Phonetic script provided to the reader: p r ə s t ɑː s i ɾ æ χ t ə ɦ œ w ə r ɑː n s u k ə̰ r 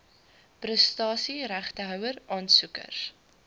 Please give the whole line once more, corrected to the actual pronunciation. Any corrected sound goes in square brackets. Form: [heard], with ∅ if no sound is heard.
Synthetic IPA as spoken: p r ə s t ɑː s i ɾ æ χ t ə ɦ œ w ə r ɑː n s u k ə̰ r